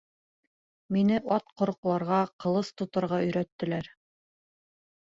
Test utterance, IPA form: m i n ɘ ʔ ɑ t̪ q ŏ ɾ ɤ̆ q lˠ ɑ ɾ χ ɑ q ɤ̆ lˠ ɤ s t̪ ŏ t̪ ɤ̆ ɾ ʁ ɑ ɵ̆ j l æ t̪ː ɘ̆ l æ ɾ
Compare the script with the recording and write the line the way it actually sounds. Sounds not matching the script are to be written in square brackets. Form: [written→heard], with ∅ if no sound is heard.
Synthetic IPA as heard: m i n ɘ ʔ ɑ t̪ q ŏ ɾ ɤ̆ q lˠ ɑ ɾ [χ→ʁ] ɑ q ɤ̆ lˠ ɤ s t̪ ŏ t̪ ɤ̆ ɾ ʁ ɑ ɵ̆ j [l→ɾ] æ t̪ː ɘ̆ l æ ɾ

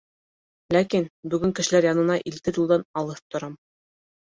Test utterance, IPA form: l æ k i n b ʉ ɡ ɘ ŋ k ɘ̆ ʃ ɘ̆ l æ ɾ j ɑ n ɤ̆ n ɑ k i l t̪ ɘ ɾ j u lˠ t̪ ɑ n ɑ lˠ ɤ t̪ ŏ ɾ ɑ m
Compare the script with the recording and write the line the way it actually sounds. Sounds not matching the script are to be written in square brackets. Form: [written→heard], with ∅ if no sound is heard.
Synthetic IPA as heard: l æ k i n b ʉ ɡ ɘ ŋ k ɘ̆ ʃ ɘ̆ l æ ɾ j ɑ n ɤ̆ n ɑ [k→ʔ] i l t̪ ɘ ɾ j u lˠ [t̪→d̪] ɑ n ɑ lˠ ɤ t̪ ŏ ɾ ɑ m

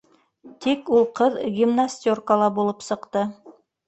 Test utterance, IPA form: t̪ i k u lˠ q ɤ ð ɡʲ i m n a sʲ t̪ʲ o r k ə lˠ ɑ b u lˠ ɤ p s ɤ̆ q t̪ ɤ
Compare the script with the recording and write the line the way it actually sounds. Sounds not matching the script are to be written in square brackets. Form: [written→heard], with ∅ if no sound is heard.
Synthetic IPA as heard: t̪ i k u lˠ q ɤ ð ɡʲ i m n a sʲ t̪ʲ o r k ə lˠ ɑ b u lˠ ɤ p s ɤ̆ q t̪ ɤ

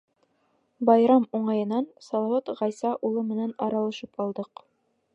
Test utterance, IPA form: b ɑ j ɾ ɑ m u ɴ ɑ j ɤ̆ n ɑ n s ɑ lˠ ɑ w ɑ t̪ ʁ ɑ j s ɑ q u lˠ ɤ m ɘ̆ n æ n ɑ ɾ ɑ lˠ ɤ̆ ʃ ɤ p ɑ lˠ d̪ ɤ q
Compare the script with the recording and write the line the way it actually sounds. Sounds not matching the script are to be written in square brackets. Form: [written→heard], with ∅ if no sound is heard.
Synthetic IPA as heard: b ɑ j ɾ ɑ m u ɴ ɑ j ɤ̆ n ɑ n s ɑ lˠ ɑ w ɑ t̪ ʁ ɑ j s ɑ [q→ʔ] u lˠ ɤ m ɘ̆ n æ n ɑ ɾ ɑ lˠ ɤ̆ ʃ ɤ p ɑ lˠ d̪ ɤ q

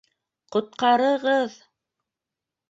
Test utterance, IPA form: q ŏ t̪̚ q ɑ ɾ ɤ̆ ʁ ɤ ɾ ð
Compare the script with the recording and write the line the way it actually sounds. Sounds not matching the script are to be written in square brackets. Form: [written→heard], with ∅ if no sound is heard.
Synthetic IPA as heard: q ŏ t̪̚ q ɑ ɾ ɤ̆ ʁ ɤ [ɾ→∅] ð

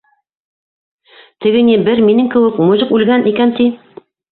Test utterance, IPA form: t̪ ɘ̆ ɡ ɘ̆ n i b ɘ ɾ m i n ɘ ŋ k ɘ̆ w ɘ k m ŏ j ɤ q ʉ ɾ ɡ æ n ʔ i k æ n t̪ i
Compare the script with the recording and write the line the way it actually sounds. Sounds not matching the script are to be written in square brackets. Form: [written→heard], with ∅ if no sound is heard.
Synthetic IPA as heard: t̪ ɘ̆ ɡ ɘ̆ n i b ɘ ɾ m i n ɘ ŋ k ɘ̆ w ɘ k m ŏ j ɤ q ʉ [ɾ→l] ɡ æ n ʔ i k æ n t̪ i

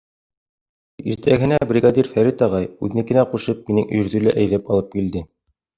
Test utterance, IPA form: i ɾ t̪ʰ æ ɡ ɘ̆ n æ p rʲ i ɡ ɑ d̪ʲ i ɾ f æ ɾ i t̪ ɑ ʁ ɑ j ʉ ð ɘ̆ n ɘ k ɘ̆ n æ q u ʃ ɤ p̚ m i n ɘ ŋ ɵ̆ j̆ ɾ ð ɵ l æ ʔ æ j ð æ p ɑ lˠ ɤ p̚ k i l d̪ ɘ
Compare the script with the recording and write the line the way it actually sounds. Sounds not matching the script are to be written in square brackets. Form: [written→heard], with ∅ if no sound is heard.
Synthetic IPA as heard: i ɾ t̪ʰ æ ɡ ɘ̆ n æ [p→b] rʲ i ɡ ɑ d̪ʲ i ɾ f æ ɾ i t̪ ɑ ʁ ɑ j ʉ ð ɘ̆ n ɘ k ɘ̆ n æ q u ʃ ɤ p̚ m i n ɘ ŋ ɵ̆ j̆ ɾ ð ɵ l æ ʔ æ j ð æ p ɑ lˠ ɤ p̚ k i l d̪ ɘ

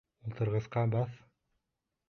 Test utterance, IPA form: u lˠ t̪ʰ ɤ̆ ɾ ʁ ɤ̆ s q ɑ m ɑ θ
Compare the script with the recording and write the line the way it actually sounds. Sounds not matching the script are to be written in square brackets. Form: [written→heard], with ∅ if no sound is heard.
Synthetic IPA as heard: u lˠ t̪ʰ ɤ̆ ɾ ʁ ɤ̆ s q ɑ [m→b] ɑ θ

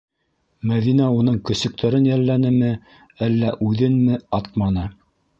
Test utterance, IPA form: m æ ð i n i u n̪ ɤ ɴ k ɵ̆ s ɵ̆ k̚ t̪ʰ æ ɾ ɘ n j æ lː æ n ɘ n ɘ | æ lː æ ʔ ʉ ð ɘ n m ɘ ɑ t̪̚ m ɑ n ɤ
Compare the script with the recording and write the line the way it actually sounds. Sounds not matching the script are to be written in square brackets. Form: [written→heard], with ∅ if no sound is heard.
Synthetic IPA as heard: m æ ð i n [i→æ] u n̪ ɤ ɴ k ɵ̆ s ɵ̆ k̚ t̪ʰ æ ɾ ɘ n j æ lː æ n ɘ [n→m] ɘ | æ lː æ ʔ ʉ ð ɘ n m ɘ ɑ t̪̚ m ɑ n ɤ

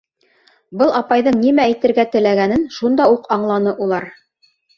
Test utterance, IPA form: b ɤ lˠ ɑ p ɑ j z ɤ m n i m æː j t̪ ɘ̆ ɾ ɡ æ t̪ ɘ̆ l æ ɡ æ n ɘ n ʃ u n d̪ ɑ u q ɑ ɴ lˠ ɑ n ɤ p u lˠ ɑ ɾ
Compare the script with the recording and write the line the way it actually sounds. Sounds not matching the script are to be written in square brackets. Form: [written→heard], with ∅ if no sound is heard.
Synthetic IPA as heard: b ɤ lˠ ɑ p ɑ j [z→ð] ɤ [m→ɴ] n i m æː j t̪ ɘ̆ ɾ ɡ æ t̪ ɘ̆ l æ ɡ æ n ɘ n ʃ u n d̪ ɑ u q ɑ ɴ lˠ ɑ n ɤ [p→ʔ] u lˠ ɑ ɾ

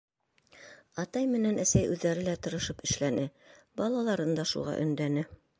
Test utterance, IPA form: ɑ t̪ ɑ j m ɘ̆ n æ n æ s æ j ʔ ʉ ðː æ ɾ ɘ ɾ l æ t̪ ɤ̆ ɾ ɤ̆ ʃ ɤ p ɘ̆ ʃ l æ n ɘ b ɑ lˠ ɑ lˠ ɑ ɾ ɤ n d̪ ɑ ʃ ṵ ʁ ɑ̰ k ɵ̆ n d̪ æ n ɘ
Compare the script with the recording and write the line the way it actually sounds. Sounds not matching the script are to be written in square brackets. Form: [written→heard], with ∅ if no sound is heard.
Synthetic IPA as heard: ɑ t̪ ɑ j m ɘ̆ n æ n æ s æ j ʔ ʉ ðː æ ɾ ɘ [ɾ→∅] l æ t̪ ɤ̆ ɾ ɤ̆ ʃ ɤ p ɘ̆ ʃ l æ n ɘ b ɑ lˠ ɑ lˠ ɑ ɾ ɤ n d̪ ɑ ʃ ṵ ʁ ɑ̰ [k→ʔ] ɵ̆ n d̪ æ n ɘ

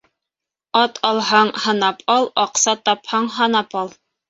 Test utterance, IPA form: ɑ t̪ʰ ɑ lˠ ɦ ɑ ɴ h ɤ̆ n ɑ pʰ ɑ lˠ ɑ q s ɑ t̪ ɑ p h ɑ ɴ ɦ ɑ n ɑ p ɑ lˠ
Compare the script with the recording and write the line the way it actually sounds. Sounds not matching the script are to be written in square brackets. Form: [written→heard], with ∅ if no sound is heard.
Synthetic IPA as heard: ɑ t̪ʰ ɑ lˠ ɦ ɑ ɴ h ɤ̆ n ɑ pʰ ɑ lˠ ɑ q s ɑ t̪ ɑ p h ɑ ɴ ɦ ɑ n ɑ p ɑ lˠ

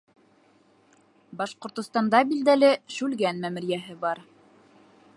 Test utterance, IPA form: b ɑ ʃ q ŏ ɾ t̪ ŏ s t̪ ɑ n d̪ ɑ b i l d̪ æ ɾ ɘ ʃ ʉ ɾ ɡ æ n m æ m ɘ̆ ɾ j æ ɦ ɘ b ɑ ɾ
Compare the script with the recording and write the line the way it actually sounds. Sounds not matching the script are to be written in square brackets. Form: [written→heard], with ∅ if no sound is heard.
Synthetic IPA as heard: b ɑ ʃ q ŏ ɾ t̪ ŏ s t̪ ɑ n d̪ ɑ b i l d̪ æ [ɾ→l] ɘ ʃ ʉ [ɾ→l] ɡ æ n m æ m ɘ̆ ɾ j æ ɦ ɘ b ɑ ɾ

